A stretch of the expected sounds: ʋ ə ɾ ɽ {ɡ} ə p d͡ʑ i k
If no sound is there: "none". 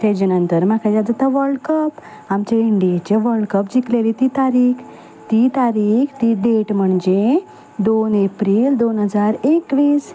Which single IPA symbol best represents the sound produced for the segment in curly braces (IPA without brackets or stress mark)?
k